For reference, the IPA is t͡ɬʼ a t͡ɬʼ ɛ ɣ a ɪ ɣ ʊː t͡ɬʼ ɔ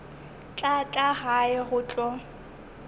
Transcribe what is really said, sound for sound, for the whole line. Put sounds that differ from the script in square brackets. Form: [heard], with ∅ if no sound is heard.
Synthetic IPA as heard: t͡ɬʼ a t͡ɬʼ [a] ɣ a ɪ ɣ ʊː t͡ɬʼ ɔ